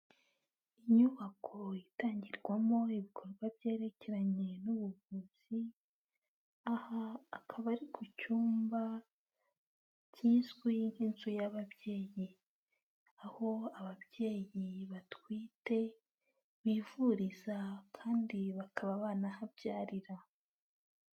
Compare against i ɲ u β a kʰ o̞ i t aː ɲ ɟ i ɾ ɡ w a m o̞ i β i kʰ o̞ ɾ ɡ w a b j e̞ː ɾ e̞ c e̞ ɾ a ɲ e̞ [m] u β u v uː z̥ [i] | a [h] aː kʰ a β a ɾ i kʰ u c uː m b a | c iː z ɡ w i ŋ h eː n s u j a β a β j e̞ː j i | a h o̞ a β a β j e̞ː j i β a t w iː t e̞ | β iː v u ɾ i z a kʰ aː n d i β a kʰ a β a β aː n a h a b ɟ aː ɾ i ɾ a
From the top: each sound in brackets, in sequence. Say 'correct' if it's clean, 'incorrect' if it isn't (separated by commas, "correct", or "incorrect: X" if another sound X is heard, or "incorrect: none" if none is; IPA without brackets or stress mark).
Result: incorrect: n, correct, correct